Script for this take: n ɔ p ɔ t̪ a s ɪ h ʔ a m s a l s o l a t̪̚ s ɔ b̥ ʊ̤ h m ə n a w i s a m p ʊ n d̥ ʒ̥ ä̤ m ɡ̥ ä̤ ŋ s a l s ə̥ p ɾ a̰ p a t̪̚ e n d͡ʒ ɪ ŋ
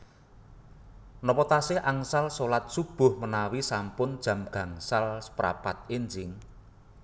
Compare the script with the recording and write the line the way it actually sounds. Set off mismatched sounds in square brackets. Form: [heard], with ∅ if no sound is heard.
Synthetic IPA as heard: n ɔ p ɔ t̪ a s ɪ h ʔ a [ŋ] s a l s o l a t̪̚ s [u] b̥ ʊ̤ h m ə n a w i s a m p ʊ n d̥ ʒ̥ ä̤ m ɡ̥ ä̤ ŋ s a l s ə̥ p ɾ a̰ p a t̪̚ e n d͡ʒ ɪ ŋ